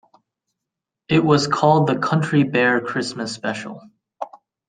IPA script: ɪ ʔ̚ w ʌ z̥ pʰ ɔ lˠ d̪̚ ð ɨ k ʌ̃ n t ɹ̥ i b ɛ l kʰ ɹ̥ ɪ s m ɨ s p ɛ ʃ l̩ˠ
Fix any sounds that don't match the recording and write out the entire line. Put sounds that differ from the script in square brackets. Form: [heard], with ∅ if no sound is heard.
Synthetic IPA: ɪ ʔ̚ w ʌ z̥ [kʰ] ɔ lˠ d̪̚ ð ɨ [kʰ] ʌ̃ n [t͡ʃ] ɹ̥ i b ɛ [ɹ] kʰ ɹ̥ ɪ s m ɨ s p ɛ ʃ l̩ˠ